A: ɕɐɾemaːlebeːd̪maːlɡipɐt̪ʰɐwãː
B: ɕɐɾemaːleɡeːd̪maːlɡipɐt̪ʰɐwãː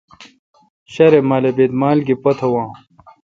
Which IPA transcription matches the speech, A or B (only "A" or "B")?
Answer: A